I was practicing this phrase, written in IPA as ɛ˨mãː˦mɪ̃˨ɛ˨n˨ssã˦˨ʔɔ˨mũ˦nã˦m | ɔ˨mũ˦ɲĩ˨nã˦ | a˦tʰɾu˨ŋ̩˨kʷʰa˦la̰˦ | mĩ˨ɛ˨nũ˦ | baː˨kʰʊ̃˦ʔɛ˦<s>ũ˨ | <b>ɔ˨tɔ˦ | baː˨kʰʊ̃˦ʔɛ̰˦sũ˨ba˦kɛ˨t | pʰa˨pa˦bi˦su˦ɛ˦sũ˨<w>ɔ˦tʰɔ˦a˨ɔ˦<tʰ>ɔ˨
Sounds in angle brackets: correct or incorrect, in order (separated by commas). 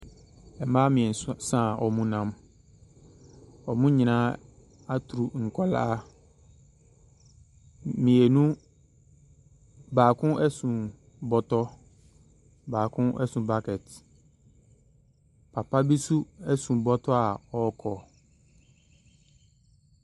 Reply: correct, correct, incorrect, incorrect